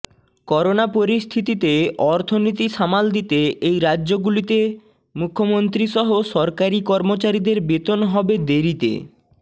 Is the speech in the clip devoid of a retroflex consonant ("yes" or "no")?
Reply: yes